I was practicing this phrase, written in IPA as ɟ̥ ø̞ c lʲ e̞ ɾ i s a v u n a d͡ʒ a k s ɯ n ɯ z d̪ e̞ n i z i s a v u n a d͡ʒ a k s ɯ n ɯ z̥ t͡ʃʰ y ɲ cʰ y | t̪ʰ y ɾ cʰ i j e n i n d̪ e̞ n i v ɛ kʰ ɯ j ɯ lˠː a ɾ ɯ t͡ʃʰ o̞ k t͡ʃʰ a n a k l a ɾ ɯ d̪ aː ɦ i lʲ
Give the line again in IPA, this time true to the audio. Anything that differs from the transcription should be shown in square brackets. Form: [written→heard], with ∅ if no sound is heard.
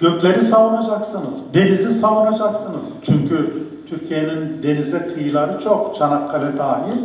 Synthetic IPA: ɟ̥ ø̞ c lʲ e̞ ɾ i s a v u n a d͡ʒ a k s ɯ n ɯ z d̪ e̞ n i z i s a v u n a d͡ʒ a k s ɯ n ɯ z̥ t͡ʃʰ y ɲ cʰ y | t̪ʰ y ɾ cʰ i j e n i n d̪ e̞ n i [v→z] ɛ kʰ ɯ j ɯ [lˠː→lˠ] a ɾ ɯ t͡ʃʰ o̞ k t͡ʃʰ a n a k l a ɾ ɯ d̪ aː ɦ i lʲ